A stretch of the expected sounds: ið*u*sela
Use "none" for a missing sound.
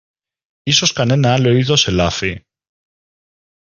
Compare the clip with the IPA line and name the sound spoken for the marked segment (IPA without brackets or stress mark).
o